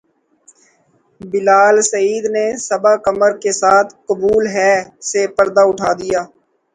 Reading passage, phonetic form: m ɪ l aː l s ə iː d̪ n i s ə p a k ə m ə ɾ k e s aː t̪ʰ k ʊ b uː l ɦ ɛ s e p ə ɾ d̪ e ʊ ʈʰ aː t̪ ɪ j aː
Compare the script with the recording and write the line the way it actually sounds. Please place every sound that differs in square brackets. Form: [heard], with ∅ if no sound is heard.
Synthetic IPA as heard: [b] ɪ l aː l s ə iː d̪ n [e] s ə [b] a k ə m ə ɾ k e s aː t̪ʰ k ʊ b uː l ɦ ɛ s e p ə ɾ d̪ [a] ʊ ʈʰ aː [d̪] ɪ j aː